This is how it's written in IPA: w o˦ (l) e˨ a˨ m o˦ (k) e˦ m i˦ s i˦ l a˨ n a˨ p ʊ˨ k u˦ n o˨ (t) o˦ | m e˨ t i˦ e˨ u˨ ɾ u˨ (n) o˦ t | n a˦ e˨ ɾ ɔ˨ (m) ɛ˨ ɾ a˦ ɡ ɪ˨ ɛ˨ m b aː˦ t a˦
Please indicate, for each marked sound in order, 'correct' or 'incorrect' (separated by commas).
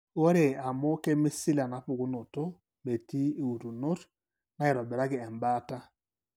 incorrect, correct, correct, correct, incorrect